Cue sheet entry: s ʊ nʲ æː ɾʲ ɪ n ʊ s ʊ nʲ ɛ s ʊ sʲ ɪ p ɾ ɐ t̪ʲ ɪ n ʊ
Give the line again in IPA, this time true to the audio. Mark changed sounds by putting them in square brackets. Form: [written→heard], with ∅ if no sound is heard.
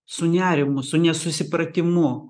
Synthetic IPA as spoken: s ʊ nʲ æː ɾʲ ɪ [n→m] ʊ s ʊ nʲ ɛ s ʊ sʲ ɪ p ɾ ɐ t̪ʲ ɪ [n→m] ʊ